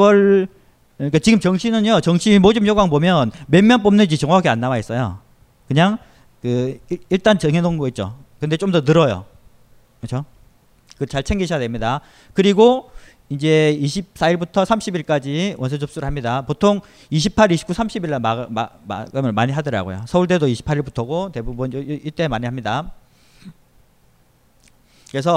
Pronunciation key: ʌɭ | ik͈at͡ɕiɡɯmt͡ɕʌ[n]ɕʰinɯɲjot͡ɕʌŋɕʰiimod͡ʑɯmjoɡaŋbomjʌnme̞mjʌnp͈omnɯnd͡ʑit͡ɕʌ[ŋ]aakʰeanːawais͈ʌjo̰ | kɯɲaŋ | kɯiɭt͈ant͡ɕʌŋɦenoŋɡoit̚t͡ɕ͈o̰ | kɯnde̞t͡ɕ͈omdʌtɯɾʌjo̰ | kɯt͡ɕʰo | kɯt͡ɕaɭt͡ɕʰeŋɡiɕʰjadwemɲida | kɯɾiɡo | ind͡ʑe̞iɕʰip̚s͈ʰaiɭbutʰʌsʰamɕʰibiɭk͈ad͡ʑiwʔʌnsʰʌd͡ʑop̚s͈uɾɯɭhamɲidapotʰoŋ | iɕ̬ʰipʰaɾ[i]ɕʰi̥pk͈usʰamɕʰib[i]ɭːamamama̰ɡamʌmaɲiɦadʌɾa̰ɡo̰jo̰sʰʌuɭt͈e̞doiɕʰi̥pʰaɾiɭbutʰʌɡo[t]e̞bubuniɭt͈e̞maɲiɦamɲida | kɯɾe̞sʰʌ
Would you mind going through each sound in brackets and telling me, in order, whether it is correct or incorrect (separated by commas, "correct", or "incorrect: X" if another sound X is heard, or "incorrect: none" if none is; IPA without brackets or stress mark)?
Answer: incorrect: ŋ, correct, correct, correct, correct